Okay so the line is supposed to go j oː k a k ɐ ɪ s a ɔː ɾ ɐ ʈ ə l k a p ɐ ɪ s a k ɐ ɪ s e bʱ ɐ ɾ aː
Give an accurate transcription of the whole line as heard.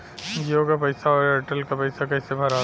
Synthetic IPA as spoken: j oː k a p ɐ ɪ s a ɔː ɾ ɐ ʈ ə l k a p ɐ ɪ s a k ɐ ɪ s e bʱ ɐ ɾ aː